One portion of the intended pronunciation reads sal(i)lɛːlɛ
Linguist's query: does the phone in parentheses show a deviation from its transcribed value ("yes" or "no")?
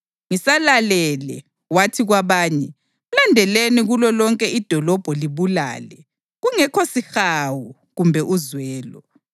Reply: yes